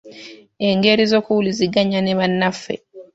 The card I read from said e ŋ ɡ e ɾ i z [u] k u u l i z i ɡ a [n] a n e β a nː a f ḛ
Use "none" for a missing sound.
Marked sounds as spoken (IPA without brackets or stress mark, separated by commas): o, ɲ